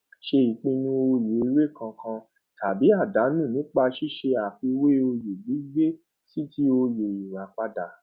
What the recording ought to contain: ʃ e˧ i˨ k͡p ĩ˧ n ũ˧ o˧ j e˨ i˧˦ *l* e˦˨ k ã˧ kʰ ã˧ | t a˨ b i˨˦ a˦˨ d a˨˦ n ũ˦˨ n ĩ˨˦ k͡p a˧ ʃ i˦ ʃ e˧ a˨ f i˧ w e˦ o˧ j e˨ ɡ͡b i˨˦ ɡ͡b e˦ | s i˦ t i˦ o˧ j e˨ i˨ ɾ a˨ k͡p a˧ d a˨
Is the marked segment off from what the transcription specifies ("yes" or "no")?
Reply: yes